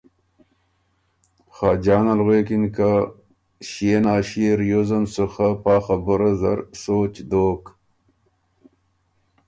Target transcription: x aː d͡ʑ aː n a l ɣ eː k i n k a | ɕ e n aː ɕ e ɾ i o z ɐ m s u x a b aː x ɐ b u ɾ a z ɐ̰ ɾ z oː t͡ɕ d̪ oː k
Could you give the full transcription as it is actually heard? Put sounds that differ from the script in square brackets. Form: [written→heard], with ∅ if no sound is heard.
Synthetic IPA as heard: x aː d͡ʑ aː n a l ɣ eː k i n k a | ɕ e n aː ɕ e ɾ [i→j] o z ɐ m s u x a [b→p] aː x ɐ b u ɾ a z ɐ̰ ɾ [z→s] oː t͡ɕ d̪ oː k